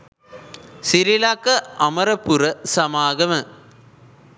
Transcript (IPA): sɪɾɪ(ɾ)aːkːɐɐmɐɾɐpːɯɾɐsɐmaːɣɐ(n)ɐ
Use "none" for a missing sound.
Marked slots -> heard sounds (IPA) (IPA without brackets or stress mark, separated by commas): l, m